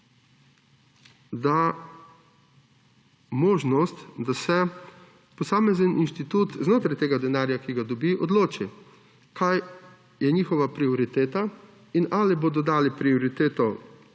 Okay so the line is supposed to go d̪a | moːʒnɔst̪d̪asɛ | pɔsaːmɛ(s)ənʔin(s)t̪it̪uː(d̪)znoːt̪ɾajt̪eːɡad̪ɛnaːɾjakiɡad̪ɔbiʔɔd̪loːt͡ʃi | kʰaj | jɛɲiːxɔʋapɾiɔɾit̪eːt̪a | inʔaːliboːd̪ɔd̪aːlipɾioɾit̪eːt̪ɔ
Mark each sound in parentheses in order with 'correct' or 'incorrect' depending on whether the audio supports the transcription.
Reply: incorrect, incorrect, incorrect

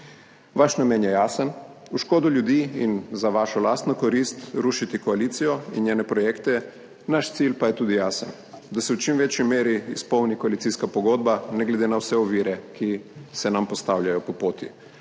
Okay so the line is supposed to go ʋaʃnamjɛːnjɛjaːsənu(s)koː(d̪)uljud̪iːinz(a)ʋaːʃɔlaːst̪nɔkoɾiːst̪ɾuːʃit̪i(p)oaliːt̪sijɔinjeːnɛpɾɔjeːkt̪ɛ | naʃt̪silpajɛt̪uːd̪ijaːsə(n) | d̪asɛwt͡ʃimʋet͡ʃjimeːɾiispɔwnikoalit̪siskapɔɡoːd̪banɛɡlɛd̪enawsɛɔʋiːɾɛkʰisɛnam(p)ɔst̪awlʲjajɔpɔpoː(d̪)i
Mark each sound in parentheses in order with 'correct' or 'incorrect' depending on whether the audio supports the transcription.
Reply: incorrect, correct, correct, incorrect, correct, correct, incorrect

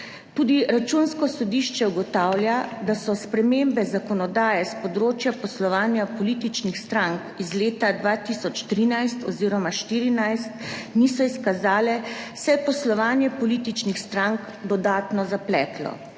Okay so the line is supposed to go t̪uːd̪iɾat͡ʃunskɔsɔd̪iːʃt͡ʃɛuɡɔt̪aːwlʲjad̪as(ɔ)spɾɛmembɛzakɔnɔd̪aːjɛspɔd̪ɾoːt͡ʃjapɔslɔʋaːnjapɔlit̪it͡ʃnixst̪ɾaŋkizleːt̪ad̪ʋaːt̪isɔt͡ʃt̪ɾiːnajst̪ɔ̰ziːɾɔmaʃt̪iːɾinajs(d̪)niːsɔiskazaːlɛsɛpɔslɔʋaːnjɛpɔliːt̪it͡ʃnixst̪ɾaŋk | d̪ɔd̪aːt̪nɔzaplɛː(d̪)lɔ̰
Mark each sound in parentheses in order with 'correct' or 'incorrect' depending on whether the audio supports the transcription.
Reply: correct, incorrect, incorrect

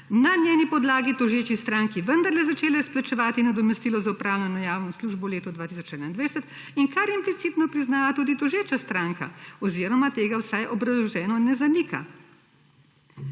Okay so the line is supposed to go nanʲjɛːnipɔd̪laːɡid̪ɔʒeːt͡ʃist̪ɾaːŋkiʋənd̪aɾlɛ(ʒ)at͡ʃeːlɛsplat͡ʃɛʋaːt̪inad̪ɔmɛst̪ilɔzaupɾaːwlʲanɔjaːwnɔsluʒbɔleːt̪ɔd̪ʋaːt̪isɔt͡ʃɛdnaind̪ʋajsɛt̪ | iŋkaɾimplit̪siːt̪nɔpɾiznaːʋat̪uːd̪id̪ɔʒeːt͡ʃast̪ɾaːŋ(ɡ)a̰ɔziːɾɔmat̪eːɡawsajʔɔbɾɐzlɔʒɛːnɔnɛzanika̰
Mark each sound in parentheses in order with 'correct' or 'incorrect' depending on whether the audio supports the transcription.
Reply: incorrect, incorrect

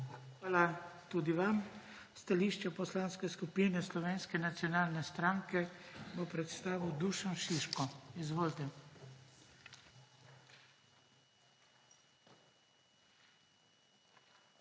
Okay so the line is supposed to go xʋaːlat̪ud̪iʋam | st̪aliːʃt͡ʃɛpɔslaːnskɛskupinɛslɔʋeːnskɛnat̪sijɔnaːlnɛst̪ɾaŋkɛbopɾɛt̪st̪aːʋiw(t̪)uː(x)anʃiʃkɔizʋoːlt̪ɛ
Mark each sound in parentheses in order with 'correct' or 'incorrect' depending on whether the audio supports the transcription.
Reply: incorrect, incorrect

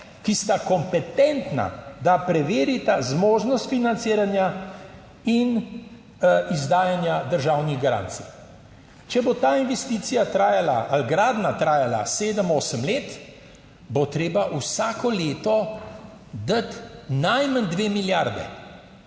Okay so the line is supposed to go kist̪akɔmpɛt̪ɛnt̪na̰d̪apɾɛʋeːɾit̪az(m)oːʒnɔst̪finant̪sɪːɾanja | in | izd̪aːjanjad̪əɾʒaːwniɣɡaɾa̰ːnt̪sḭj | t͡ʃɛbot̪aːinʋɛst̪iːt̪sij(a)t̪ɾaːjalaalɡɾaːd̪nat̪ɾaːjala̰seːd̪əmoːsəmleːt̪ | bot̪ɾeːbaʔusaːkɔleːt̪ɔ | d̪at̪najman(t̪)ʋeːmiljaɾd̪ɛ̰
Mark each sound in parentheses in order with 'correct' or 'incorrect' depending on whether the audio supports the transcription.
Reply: correct, correct, incorrect

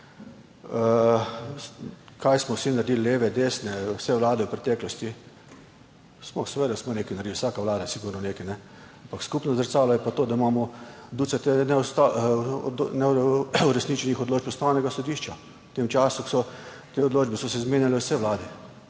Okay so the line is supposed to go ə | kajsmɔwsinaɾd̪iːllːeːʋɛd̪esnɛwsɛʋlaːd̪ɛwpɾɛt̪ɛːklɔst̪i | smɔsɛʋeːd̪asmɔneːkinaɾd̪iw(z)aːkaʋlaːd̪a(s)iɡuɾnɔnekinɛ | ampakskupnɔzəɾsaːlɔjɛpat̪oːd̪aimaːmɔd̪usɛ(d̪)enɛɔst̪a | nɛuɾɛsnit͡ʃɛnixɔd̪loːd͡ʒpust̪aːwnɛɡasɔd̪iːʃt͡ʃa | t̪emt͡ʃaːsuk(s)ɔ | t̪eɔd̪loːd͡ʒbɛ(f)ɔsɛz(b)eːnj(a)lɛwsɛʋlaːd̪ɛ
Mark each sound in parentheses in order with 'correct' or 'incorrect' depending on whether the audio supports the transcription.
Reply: incorrect, correct, incorrect, correct, incorrect, incorrect, correct

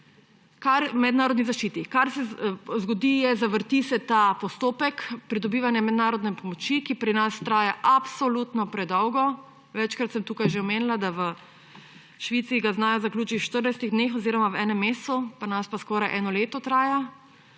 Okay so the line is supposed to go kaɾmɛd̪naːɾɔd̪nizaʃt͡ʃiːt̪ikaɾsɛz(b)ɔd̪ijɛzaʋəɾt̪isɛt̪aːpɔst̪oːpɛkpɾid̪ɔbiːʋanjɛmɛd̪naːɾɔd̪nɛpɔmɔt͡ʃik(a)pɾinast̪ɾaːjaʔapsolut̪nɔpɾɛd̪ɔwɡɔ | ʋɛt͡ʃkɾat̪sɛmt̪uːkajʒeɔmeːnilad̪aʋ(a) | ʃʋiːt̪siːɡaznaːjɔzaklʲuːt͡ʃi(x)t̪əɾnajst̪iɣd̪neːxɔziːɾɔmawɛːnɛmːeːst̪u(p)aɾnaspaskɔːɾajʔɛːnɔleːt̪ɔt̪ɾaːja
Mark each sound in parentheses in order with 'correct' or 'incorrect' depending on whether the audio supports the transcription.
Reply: incorrect, incorrect, incorrect, incorrect, correct

